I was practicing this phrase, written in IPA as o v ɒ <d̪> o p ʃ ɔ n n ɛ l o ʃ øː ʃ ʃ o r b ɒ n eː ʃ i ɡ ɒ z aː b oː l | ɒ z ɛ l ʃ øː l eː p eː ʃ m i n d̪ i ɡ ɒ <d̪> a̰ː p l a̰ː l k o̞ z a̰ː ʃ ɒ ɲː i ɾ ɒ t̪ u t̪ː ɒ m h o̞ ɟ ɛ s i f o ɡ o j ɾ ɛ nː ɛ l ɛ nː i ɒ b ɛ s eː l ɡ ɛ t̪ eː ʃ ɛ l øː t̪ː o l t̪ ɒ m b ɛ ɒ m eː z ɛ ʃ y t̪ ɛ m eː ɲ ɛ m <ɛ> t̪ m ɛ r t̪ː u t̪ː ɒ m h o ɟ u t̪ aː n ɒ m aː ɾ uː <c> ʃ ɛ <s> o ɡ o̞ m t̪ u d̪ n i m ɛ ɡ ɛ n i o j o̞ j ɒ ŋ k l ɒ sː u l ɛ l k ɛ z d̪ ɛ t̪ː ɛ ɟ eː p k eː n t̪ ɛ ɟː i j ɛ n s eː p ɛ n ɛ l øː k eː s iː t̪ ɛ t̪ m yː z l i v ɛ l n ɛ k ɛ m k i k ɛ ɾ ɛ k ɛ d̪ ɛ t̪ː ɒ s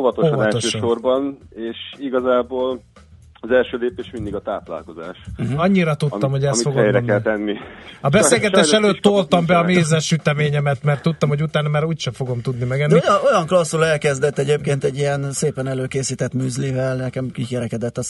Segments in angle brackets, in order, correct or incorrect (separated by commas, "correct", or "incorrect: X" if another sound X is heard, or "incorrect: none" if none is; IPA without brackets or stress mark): incorrect: t̪, incorrect: t̪, correct, correct, incorrect: f